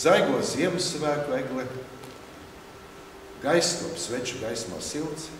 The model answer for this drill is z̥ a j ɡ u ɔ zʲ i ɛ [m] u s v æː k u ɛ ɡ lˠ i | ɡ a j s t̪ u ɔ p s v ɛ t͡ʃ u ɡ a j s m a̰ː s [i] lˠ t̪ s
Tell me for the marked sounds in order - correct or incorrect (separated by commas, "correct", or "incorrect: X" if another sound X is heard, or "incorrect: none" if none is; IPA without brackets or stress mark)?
correct, correct